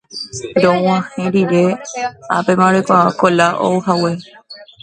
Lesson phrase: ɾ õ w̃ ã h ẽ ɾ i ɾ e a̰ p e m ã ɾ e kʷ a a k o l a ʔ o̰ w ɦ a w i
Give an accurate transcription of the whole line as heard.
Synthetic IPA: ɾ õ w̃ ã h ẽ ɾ i ɾ e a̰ p e m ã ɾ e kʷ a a k o l a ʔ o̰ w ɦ a w e